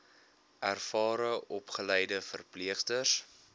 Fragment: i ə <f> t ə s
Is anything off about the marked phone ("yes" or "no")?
yes